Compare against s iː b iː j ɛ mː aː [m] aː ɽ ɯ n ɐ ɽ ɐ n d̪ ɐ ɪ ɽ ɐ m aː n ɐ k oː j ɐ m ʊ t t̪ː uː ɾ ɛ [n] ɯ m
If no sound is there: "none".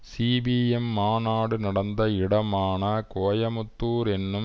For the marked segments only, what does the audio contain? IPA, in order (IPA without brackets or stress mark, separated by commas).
n, nː